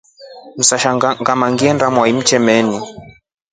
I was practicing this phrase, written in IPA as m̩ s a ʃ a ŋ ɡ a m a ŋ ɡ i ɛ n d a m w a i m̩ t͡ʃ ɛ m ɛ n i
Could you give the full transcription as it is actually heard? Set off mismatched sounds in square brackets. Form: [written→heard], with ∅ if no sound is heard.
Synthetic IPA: m̩ s a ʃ a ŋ ɡ a m a ŋ ɡ i ɛ n d a m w a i m̩ t͡ʃ ɛ m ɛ n i